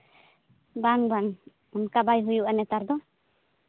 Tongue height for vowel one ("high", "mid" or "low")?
low